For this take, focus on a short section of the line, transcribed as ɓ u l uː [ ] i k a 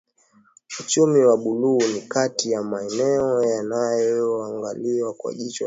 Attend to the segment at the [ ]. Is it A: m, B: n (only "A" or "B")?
B